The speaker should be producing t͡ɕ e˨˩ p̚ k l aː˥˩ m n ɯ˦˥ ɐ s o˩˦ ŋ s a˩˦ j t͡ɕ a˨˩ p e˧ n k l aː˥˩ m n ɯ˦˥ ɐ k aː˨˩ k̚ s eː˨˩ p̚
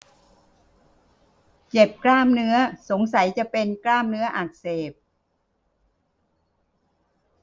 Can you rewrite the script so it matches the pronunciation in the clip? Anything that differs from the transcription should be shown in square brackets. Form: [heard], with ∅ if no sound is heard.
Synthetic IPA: t͡ɕ e˨˩ p̚ k l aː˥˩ m n ɯ˦˥ ɐ s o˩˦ ŋ s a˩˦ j t͡ɕ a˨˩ p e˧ n k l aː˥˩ m n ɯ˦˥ ɐ [ʔ] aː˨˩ k̚ s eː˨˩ p̚